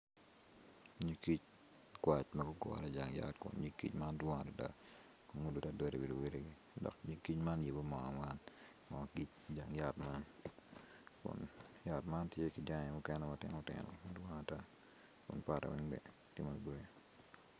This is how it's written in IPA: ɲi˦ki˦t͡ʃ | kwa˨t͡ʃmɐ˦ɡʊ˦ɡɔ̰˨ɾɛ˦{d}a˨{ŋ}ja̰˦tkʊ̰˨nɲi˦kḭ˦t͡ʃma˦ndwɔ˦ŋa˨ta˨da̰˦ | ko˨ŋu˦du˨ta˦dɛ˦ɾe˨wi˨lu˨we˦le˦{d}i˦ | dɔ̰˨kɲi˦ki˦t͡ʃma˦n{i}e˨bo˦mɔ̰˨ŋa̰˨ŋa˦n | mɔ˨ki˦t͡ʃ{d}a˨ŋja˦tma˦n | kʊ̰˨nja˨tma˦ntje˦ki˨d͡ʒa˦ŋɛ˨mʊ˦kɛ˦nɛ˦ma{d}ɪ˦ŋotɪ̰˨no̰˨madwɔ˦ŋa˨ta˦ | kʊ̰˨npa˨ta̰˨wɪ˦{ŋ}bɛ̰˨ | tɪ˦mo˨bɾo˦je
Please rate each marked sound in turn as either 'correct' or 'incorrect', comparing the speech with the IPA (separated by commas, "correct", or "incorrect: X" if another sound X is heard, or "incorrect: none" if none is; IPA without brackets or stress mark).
incorrect: d͡ʒ, correct, incorrect: ɡ, incorrect: j, incorrect: d͡ʒ, incorrect: t, correct